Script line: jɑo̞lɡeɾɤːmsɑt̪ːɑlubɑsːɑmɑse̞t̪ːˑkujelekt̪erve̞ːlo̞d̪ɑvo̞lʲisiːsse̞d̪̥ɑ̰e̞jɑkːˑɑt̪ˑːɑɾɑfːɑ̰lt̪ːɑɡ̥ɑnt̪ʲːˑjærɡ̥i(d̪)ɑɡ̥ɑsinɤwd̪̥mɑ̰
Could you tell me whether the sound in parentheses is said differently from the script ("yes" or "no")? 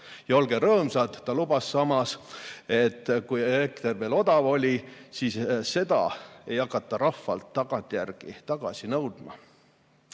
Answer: yes